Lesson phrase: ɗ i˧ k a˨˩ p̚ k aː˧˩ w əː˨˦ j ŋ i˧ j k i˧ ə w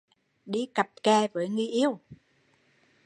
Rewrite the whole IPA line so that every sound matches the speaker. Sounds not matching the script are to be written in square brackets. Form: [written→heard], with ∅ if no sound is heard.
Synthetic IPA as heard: ɗ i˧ k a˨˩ p̚ k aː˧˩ [w→v] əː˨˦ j ŋ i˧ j [k→ʔ] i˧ ə w